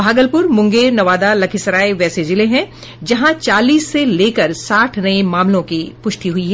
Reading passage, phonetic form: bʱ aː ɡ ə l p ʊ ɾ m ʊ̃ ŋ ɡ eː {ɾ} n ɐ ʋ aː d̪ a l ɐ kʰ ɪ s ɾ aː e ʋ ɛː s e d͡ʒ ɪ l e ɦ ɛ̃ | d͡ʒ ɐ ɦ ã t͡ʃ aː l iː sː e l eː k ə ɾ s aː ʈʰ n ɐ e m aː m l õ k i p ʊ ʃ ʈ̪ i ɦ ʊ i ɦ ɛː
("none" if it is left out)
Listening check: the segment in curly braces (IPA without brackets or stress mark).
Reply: ɾ